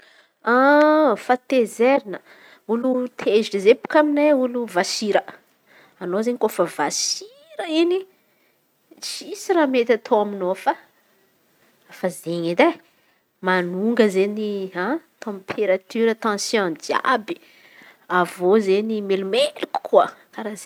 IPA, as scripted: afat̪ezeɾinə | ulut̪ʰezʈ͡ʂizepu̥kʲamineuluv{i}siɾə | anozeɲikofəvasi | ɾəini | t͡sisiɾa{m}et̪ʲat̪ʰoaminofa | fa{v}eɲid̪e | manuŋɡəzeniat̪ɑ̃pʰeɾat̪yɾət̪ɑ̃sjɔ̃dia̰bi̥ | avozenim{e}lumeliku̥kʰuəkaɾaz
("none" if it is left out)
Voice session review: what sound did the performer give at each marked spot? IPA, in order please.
a, m, z, e

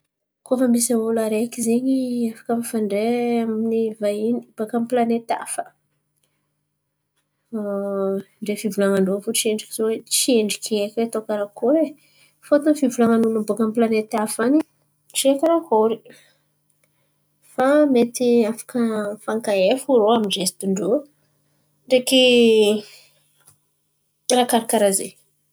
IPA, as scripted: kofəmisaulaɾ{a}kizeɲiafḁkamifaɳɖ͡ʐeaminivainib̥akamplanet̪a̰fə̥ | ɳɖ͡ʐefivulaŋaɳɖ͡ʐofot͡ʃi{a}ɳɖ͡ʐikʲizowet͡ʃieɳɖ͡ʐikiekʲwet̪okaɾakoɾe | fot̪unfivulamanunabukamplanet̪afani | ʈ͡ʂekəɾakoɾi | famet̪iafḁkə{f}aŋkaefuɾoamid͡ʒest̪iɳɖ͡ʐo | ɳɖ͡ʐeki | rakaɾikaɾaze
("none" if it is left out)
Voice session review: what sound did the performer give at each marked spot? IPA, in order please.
e, e, f

